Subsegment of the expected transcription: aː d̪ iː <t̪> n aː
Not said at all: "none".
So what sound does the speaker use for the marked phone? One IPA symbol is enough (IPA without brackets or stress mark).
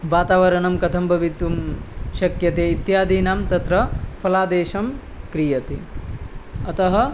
none